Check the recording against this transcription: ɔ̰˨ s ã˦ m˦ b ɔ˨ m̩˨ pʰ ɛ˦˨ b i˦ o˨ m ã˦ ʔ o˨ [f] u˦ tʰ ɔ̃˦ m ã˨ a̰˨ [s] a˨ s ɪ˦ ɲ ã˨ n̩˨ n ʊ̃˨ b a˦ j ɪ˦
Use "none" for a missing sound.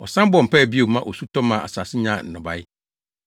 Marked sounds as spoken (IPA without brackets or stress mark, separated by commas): s, s